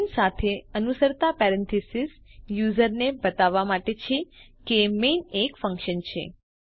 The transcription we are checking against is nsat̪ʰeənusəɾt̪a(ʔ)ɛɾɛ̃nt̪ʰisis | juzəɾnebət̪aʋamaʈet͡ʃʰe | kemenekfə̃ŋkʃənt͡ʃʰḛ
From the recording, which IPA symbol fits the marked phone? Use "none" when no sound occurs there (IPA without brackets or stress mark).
p